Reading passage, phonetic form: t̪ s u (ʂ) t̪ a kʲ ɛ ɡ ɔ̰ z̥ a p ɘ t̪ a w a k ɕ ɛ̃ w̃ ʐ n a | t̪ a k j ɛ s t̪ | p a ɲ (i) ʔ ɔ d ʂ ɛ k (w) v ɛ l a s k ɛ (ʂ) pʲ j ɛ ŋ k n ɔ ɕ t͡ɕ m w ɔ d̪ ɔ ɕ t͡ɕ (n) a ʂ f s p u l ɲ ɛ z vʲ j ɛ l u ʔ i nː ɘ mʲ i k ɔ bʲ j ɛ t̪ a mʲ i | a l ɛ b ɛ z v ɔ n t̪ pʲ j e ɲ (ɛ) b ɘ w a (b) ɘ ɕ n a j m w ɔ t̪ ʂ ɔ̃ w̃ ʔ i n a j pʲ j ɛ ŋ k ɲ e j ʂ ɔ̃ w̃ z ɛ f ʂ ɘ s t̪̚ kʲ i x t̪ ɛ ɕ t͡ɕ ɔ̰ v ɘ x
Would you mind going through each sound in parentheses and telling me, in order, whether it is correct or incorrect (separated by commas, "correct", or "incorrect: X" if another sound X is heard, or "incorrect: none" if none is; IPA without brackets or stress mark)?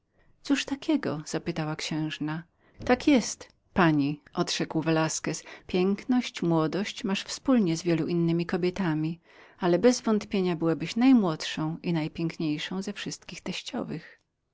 correct, correct, correct, incorrect: s, incorrect: m, incorrect: a, correct